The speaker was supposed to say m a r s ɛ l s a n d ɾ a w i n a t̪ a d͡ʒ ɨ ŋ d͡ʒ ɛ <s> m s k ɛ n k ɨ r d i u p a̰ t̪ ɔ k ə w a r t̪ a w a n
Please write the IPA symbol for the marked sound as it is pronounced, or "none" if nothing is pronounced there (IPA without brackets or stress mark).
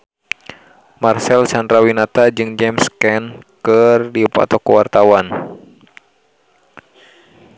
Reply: none